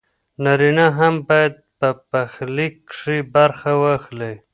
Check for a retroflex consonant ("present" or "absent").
present